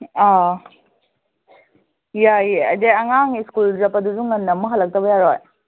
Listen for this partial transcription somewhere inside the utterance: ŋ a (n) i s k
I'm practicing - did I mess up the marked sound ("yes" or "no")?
yes